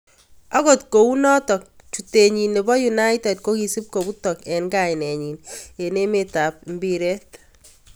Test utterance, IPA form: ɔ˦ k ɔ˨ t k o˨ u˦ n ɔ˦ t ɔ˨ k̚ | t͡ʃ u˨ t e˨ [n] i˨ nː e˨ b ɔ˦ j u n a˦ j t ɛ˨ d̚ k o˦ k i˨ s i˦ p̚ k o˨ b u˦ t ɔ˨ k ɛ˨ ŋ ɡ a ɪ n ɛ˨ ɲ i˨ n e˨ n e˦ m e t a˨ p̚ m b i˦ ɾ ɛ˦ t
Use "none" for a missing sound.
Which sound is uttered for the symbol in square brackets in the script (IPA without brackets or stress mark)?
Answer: ɲ